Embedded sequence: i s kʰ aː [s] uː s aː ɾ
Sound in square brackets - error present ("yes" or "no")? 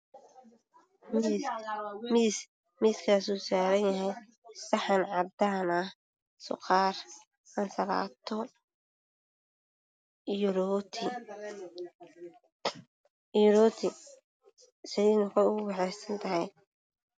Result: no